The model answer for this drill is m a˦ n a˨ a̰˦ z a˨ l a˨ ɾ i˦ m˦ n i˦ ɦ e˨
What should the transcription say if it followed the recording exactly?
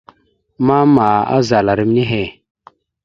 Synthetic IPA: m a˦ m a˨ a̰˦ z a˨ l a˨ ɾ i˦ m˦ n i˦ ɦ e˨